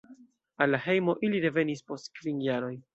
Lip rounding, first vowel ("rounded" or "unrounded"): unrounded